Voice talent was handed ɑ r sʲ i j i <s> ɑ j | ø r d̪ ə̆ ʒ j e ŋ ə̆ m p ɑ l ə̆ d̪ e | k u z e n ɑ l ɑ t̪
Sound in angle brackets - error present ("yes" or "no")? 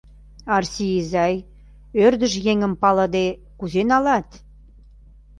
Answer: yes